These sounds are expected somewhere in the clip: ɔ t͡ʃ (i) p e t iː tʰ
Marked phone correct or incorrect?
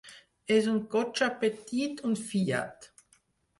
incorrect